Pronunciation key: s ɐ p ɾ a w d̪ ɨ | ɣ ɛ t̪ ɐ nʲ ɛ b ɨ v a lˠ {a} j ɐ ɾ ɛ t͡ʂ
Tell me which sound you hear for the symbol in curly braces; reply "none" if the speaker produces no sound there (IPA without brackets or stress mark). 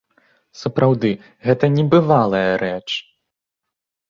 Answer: ɐ